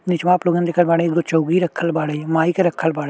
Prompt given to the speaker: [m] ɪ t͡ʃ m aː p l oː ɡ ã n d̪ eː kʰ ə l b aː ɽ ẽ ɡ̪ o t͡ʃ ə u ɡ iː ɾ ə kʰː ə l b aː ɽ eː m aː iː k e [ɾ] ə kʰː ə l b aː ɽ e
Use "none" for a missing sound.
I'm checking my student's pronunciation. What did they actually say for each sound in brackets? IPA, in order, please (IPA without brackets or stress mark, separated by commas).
n, ɾ